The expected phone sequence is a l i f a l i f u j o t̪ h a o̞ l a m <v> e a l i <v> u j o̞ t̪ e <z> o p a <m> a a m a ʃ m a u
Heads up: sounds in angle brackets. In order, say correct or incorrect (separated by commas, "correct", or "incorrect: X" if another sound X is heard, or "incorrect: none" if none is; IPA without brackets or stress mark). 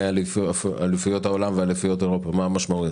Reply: correct, incorrect: f, incorrect: ʁ, correct